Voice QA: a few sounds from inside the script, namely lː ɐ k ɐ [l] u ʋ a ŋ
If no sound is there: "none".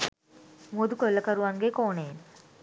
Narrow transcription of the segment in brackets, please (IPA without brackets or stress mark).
ɾ